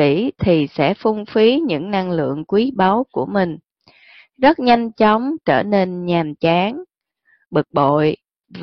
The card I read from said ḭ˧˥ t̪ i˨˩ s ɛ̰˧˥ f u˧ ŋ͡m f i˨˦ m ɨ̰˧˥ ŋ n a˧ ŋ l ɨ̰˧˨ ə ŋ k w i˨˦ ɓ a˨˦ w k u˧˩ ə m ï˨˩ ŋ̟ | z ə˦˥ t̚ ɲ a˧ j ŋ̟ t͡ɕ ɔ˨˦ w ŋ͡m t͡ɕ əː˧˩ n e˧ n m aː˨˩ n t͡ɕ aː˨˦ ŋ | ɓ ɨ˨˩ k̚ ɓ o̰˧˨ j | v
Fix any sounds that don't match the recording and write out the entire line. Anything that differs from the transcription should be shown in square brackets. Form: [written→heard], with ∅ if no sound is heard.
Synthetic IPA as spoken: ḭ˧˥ [t̪→t̪ʰ] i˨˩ s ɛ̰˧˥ f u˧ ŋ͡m f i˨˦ [m→ɲ] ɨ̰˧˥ ŋ n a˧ ŋ l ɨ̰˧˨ ə ŋ k w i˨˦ ɓ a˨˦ w k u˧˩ ə m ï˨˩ ŋ̟ | z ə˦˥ t̚ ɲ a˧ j ŋ̟ t͡ɕ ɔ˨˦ w ŋ͡m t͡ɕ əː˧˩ n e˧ n [m→ɲ] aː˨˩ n t͡ɕ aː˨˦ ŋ | ɓ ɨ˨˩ k̚ ɓ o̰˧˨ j | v